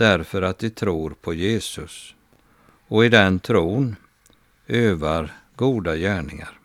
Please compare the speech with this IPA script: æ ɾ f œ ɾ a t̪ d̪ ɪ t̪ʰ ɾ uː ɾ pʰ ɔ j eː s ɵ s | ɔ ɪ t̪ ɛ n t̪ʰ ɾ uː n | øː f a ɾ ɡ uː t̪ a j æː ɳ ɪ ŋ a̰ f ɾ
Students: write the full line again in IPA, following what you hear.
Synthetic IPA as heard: æ ɾ f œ ɾ a t̪ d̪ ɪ t̪ʰ ɾ uː ɾ pʰ ɔ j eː s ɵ s | ɔ ɪ d̪ ɛ n t̪ʰ ɾ uː n | øː v a ɾ ɡ uː d̪ a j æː ɳ ɪ ŋ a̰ ɾ